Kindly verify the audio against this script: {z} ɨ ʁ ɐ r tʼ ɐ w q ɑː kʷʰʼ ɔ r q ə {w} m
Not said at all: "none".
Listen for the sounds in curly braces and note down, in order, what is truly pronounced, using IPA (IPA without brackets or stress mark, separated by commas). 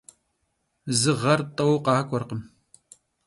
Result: z, none